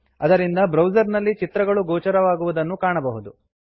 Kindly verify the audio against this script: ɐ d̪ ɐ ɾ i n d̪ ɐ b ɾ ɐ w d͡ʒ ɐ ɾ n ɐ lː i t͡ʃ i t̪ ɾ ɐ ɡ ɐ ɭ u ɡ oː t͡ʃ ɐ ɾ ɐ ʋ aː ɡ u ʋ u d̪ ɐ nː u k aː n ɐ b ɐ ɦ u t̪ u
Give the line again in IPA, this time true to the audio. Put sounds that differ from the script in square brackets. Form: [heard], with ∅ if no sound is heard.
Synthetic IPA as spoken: ɐ d̪ ɐ ɾ i n d̪ ɐ b ɾ ɐ w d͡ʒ ɐ ɾ n ɐ lː i t͡ʃ i t̪ ɾ ɐ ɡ ɐ ɭ u ɡ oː t͡ʃ ɐ ɾ ɐ ʋ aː ɡ u ʋ u d̪ ɐ nː u k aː [ɳ] ɐ b ɐ ɦ u [d̪] u